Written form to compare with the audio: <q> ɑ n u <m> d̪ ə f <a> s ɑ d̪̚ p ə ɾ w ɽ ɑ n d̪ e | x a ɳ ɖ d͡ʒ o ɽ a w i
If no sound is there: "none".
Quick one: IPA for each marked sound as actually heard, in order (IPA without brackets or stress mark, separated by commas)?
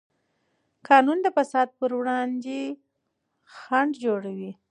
k, n, a